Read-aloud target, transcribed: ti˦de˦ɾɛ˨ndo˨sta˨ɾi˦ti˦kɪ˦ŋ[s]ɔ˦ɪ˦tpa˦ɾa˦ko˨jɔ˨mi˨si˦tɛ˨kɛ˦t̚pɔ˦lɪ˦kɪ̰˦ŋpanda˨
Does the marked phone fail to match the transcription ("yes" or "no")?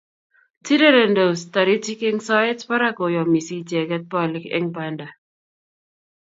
no